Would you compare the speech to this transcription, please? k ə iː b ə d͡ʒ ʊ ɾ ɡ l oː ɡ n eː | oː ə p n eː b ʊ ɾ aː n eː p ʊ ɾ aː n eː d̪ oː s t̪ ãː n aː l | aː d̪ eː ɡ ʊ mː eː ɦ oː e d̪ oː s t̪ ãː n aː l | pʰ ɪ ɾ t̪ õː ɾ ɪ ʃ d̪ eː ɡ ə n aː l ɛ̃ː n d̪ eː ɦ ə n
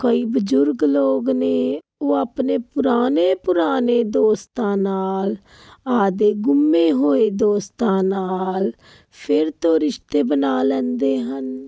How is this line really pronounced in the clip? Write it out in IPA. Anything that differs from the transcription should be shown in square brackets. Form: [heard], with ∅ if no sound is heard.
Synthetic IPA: k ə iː b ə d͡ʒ ʊ ɾ ɡ l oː ɡ n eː | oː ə p n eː [p] ʊ ɾ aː n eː p ʊ ɾ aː n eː d̪ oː s t̪ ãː n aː l | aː d̪ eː ɡ ʊ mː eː ɦ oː e d̪ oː s t̪ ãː n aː l | pʰ ɪ ɾ t̪ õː ɾ ɪ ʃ [t̪] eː [b] ə n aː l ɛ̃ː n d̪ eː ɦ ə n

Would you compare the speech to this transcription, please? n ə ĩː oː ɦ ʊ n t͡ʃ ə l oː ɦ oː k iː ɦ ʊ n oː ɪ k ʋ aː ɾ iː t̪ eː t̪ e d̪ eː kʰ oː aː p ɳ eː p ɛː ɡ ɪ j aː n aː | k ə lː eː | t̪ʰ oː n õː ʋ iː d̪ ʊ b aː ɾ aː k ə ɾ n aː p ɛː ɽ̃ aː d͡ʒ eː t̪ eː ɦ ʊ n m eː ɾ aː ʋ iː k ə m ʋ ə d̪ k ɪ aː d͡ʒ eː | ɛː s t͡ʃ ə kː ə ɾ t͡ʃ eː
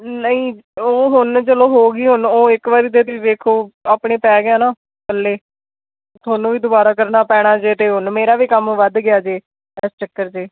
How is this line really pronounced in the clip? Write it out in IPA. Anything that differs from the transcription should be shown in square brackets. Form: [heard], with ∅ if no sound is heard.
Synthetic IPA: n ə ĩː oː ɦ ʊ n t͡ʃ ə l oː ɦ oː [ɡ] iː ɦ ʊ n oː ɪ k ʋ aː ɾ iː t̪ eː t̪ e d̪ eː kʰ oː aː p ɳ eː p ɛː ɡ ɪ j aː n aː | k ə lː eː | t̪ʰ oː n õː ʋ iː d̪ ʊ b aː ɾ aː k ə ɾ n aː p ɛː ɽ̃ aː d͡ʒ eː t̪ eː ɦ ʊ n m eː ɾ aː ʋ iː k ə m ʋ ə d̪ [ɡ] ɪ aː d͡ʒ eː | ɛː s t͡ʃ ə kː ə ɾ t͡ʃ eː

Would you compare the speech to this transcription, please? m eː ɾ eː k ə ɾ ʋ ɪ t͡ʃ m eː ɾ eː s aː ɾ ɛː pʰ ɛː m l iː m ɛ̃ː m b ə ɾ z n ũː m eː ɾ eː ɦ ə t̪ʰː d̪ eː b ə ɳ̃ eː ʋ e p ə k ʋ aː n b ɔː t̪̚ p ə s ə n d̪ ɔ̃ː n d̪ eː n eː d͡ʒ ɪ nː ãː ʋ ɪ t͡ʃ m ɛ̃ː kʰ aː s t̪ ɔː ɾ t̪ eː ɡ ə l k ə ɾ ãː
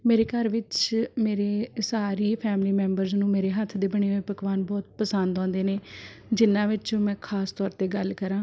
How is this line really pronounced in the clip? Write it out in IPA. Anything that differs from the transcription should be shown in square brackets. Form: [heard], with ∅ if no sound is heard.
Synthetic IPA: m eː ɾ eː k ə ɾ ʋ ɪ t͡ʃ m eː ɾ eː s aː ɾ [iː] pʰ ɛː m l iː m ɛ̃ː m b ə ɾ z n ũː m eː ɾ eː ɦ ə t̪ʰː d̪ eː b ə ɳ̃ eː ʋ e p ə k ʋ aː n b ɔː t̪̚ p ə s ə n d̪ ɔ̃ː n d̪ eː n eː d͡ʒ ɪ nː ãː ʋ ɪ t͡ʃ m ɛ̃ː kʰ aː s t̪ ɔː ɾ t̪ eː ɡ ə l k ə ɾ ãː

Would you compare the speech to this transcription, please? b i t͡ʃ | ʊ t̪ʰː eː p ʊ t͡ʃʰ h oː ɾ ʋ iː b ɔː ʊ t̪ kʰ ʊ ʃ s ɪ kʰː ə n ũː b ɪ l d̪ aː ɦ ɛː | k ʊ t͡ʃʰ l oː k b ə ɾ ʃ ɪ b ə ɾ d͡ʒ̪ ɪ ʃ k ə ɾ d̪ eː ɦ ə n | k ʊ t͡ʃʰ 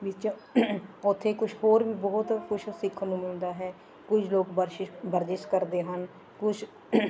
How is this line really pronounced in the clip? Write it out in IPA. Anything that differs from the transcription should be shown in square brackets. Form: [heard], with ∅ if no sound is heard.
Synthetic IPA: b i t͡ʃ | ʊ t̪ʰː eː [k] ʊ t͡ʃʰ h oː ɾ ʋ iː b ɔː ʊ t̪ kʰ ʊ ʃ s ɪ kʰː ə n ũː [m] ɪ l d̪ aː ɦ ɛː | k ʊ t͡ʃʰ l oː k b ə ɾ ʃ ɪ b ə ɾ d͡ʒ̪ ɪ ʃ k ə ɾ d̪ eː ɦ ə n | k ʊ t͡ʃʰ

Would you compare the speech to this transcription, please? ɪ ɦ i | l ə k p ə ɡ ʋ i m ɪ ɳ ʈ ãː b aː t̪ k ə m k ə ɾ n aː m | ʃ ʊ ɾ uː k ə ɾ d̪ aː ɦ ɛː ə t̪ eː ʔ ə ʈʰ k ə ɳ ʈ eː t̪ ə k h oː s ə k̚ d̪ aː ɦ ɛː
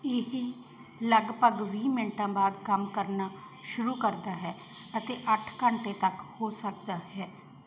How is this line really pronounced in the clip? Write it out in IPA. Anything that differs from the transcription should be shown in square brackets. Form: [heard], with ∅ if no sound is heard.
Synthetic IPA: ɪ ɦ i | l ə [ɡ] p ə ɡ ʋ [iː] m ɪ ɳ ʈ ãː b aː [d̪] k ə m k ə ɾ n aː [∅] | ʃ ʊ ɾ uː k ə ɾ d̪ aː ɦ ɛː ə t̪ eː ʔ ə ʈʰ k ə ɳ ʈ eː t̪ ə k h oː s ə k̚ d̪ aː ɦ ɛː

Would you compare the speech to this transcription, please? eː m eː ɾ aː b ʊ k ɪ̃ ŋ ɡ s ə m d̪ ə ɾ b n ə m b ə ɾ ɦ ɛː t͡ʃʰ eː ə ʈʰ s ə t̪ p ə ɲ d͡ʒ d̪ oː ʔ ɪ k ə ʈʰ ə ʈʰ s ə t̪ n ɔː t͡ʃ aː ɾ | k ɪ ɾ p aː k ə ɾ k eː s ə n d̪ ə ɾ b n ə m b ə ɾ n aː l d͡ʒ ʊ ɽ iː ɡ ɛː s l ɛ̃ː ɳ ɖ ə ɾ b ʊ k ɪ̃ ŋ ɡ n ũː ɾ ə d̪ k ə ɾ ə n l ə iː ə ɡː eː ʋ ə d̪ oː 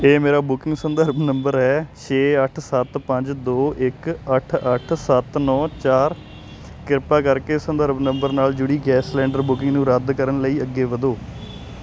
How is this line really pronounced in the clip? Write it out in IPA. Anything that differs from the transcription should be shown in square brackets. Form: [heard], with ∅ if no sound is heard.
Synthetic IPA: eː m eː ɾ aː b ʊ k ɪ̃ ŋ ɡ s ə [n] d̪ ə ɾ b n ə m b ə ɾ ɦ ɛː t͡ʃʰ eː ə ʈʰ s ə t̪ p ə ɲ d͡ʒ d̪ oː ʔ ɪ k ə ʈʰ ə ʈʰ s ə t̪ n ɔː t͡ʃ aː ɾ | k ɪ ɾ p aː k ə ɾ k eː s ə n d̪ ə ɾ b n ə m b ə ɾ n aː l d͡ʒ ʊ ɽ iː ɡ ɛː s l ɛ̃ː ɳ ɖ ə ɾ b ʊ k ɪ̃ ŋ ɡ n ũː ɾ ə d̪ k ə ɾ ə n l ə iː ə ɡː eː ʋ ə d̪ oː

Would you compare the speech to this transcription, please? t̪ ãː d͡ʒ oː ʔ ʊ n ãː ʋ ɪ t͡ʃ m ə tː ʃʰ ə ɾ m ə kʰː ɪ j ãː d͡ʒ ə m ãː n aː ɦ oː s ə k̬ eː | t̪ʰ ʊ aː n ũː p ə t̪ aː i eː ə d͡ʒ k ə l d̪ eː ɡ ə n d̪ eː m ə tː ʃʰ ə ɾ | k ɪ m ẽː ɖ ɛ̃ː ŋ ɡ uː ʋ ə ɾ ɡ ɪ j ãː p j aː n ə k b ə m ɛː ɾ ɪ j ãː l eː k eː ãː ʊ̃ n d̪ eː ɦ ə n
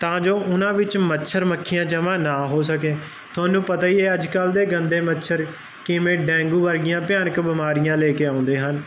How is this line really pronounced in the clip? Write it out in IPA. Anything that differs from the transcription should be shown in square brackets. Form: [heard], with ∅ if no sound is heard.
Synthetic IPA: t̪ ãː d͡ʒ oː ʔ ʊ n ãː ʋ ɪ t͡ʃ m ə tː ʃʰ ə ɾ m ə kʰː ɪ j ãː d͡ʒ ə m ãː n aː ɦ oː s ə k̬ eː | t̪ʰ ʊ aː n ũː p ə t̪ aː i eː ə d͡ʒ k ə l d̪ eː ɡ ə n d̪ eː m ə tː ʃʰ ə ɾ | k ɪ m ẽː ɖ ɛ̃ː ŋ ɡ uː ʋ ə ɾ ɡ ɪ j ãː p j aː n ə k b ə m [aː] ɾ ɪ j ãː l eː k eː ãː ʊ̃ n d̪ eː ɦ ə n

